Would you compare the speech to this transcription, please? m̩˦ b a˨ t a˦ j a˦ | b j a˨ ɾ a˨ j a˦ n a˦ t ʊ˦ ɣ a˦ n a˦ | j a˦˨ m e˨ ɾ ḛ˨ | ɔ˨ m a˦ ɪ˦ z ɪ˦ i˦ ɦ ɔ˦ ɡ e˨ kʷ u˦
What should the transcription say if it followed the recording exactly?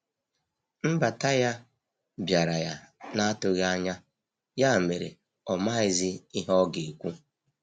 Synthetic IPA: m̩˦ b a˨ t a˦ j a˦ | b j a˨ ɾ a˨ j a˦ n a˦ t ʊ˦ ɣ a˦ ɲ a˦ | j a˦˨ m e˨ ɾ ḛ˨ | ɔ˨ m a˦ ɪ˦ z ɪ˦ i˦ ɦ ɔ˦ ɡ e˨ kʷ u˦